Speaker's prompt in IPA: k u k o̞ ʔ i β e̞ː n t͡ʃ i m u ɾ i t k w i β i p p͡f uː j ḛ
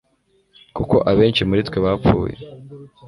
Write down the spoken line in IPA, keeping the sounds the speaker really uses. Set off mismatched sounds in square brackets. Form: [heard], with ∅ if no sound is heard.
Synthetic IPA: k u k o̞ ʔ [a] β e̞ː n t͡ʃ i m u ɾ i t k w [e] β [a] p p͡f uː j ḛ